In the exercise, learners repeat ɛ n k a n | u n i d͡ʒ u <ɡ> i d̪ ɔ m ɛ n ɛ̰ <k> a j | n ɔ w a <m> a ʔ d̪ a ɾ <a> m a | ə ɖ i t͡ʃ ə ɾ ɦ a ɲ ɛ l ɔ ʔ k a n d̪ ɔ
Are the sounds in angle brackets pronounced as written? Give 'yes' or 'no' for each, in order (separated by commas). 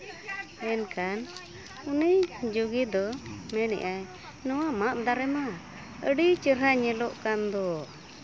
yes, no, yes, no